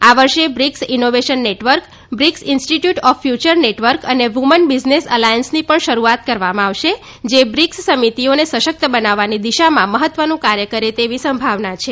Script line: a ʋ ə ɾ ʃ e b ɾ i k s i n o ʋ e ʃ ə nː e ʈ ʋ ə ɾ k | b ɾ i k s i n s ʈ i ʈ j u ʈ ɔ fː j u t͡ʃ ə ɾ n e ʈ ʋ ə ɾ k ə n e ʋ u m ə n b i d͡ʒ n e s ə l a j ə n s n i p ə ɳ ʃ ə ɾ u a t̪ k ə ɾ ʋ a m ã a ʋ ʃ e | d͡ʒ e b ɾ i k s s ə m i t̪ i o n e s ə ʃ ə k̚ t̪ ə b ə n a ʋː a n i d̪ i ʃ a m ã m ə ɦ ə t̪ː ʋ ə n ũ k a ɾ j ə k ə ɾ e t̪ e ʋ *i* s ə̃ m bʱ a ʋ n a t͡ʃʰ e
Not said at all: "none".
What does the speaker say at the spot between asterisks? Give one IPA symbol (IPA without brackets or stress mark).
i